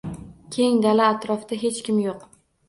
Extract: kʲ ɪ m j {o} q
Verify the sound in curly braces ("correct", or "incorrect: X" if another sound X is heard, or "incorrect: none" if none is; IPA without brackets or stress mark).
correct